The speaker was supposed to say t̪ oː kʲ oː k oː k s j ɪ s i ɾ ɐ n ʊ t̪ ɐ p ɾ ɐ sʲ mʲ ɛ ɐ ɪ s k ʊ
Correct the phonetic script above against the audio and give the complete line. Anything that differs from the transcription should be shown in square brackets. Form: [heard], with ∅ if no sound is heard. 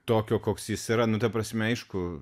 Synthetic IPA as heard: t̪ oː kʲ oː k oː k s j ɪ s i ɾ ɐ n ʊ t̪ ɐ p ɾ ɐ sʲ mʲ ɛ ɐ ɪ [ʃ] k ʊ

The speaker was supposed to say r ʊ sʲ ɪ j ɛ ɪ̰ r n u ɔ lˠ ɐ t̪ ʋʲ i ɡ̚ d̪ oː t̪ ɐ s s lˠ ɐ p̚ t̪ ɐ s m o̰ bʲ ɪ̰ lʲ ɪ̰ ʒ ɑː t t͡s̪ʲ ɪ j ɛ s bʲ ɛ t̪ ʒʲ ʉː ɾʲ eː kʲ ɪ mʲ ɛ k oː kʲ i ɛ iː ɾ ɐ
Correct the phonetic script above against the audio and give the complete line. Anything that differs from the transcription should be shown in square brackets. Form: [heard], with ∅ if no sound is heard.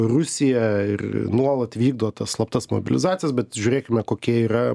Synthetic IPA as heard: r ʊ sʲ ɪ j ɛ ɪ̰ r n u ɔ lˠ ɐ t̪ ʋʲ [iː] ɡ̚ d̪ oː t̪ ɐ s s lˠ ɐ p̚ t̪ ɐ s m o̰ bʲ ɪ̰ lʲ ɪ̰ [z] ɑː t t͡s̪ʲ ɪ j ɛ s bʲ ɛ t̪ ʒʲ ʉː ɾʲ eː kʲ ɪ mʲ ɛ k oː kʲ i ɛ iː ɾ ɐ

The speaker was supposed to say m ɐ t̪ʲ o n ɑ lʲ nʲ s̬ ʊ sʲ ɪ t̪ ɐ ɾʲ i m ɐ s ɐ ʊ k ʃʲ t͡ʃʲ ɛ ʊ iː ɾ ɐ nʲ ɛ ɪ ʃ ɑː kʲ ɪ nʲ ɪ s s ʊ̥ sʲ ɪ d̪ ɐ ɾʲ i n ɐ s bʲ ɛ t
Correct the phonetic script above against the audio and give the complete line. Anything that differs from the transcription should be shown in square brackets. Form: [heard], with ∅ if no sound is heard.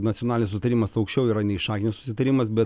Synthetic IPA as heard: [n] ɐ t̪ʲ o n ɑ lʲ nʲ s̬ ʊ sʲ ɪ t̪ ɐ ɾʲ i m ɐ s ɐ ʊ k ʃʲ t͡ʃʲ ɛ ʊ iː ɾ ɐ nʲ ɛ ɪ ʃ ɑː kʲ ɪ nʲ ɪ s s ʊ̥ sʲ ɪ [t̪] ɐ ɾʲ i [m] ɐ s bʲ ɛ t

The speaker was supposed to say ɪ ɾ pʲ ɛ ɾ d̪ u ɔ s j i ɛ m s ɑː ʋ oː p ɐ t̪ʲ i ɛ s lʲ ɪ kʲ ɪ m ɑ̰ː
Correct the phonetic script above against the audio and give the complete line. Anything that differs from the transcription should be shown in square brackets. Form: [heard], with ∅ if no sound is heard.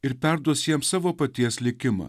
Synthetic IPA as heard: ɪ ɾ pʲ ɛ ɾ d̪ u ɔ s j i ɛ m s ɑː ʋ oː p ɐ t̪ʲ i ɛ s lʲ ɪ kʲ ɪ m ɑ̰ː

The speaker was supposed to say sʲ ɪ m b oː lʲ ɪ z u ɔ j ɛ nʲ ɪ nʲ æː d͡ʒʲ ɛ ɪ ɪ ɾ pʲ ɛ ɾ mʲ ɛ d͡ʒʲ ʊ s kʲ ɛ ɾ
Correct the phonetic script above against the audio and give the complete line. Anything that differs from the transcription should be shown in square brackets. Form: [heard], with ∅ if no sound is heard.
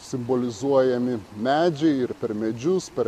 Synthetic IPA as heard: sʲ ɪ m b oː lʲ ɪ z u ɔ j ɛ [mʲ] ɪ [mʲ] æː d͡ʒʲ ɛ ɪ ɪ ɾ pʲ ɛ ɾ mʲ ɛ d͡ʒʲ ʊ s [pʲ] ɛ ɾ

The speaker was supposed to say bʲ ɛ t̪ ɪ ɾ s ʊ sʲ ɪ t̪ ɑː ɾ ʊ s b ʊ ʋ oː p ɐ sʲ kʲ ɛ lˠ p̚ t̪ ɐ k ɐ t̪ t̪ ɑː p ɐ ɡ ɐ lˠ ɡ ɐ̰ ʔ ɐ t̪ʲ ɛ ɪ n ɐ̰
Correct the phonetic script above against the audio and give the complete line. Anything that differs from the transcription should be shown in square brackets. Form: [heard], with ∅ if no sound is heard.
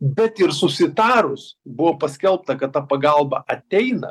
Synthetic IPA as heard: bʲ ɛ t̪ ɪ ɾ s ʊ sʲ ɪ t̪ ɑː ɾ ʊ s b ʊ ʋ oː p ɐ sʲ kʲ ɛ lˠ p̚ t̪ ɐ k ɐ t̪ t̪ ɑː p ɐ ɡ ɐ lˠ [b] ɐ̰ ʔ ɐ t̪ʲ ɛ ɪ n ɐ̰

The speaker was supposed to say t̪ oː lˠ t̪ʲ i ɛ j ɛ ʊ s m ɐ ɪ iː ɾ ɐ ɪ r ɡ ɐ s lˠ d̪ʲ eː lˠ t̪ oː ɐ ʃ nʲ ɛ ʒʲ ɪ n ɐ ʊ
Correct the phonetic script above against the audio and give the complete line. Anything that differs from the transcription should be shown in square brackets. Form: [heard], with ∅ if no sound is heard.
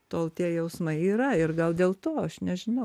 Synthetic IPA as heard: t̪ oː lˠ t̪ʲ i ɛ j ɛ ʊ s m ɐ ɪ iː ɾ ɐ ɪ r ɡ ɐ [∅] lˠ d̪ʲ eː lˠ t̪ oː ɐ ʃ nʲ ɛ ʒʲ ɪ n ɐ ʊ

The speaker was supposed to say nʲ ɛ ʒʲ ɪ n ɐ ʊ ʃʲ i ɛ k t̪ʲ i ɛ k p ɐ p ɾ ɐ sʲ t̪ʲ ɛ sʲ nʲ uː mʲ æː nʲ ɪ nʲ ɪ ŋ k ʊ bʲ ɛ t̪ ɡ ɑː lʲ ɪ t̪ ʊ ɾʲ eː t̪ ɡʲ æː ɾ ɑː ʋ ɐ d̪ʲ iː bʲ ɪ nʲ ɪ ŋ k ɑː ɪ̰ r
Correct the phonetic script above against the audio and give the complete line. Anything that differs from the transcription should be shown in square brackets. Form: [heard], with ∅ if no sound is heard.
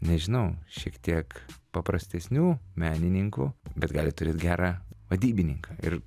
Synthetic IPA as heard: nʲ ɛ ʒʲ ɪ n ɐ ʊ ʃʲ i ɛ k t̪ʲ i ɛ k p ɐ p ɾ ɐ sʲ t̪ʲ ɛ sʲ nʲ uː mʲ æː nʲ ɪ nʲ ɪ ŋ k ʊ bʲ ɛ t̪ ɡ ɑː lʲ ɪ t̪ ʊ ɾʲ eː t̪ ɡʲ æː ɾ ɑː ʋ ɐ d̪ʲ iː bʲ ɪ nʲ ɪ ŋ k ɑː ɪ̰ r

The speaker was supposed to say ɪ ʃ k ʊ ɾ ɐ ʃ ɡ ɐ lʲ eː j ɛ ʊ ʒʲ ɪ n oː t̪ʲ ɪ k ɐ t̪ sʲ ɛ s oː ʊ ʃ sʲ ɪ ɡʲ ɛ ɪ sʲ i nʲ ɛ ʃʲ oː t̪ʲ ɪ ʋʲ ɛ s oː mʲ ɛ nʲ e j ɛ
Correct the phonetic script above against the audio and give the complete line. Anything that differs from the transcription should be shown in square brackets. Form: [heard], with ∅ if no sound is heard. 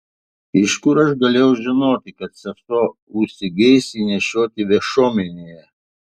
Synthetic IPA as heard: ɪ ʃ k ʊ ɾ ɐ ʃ ɡ ɐ lʲ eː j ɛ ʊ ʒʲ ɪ n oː t̪ʲ ɪ k ɐ t̪ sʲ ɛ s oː ʊ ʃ sʲ ɪ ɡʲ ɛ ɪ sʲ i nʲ ɛ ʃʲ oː t̪ʲ ɪ ʋʲ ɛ [ʃ] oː mʲ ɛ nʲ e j ɛ

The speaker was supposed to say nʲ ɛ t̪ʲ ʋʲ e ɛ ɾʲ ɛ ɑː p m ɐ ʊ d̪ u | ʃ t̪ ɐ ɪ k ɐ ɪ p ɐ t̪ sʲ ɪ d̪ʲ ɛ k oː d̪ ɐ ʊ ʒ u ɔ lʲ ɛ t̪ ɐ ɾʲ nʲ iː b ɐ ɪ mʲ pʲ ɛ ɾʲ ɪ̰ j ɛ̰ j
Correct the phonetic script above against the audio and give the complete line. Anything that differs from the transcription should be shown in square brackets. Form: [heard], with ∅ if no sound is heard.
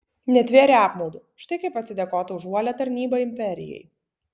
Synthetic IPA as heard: nʲ ɛ t̪ʲ ʋʲ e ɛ ɾʲ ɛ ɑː p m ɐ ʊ d̪ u | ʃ t̪ ɐ ɪ k ɐ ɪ p ɐ t̪ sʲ ɪ d̪ʲ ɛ k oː [t̪] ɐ ʊ ʒ u ɔ lʲ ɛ t̪ ɐ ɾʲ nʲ iː b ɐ ɪ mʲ pʲ ɛ ɾʲ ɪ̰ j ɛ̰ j

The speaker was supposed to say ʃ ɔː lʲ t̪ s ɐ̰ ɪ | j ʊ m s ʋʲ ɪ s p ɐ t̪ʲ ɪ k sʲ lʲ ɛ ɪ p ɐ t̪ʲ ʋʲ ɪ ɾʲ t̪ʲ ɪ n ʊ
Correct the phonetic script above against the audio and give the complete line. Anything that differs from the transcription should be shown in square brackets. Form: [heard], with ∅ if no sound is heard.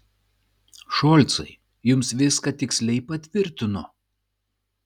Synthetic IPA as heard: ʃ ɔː lʲ t̪ s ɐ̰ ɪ | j ʊ m s ʋʲ ɪ s [k] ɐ t̪ʲ ɪ k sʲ lʲ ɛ ɪ p ɐ t̪ʲ ʋʲ ɪ ɾʲ t̪ʲ ɪ n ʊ

